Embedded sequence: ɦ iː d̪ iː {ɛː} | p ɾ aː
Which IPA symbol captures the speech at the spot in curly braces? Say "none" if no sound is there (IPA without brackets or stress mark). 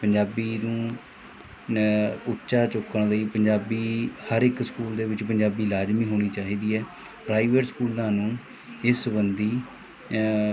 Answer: ɛː